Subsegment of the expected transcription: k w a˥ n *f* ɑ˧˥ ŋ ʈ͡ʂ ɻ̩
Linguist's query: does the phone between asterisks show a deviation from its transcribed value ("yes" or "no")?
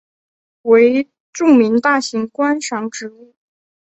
yes